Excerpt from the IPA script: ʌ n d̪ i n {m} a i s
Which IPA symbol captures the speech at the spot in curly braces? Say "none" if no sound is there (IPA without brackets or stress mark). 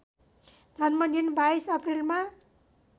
b